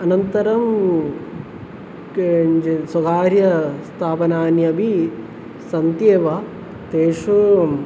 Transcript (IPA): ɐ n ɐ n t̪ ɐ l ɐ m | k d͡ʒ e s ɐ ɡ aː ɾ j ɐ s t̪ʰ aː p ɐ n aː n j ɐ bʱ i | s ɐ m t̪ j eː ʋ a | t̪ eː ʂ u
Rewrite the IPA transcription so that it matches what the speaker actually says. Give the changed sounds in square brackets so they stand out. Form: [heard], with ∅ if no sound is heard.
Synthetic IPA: ɐ n ɐ n t̪ ɐ [ɾ] ɐ m | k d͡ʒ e s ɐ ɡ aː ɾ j ɐ s t̪ʰ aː p ɐ n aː n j ɐ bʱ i | s ɐ [n] t̪ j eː ʋ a | t̪ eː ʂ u